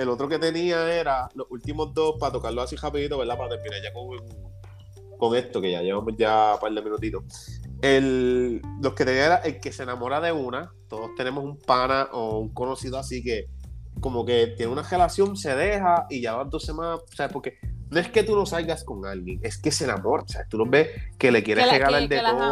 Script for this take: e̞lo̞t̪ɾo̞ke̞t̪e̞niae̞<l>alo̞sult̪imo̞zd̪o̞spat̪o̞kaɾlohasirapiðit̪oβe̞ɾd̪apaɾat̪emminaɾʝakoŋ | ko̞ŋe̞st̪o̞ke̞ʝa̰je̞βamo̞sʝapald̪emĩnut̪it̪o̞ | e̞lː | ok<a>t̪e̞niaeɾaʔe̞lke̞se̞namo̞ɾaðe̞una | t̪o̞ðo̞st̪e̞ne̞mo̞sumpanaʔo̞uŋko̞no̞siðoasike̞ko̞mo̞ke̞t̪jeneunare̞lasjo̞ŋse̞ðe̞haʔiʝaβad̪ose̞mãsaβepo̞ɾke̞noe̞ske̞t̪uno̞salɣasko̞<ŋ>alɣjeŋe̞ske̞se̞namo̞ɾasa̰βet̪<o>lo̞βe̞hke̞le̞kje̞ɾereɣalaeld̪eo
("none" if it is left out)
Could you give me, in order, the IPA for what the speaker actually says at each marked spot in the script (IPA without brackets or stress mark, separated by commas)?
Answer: ɾ, e, ŋ, u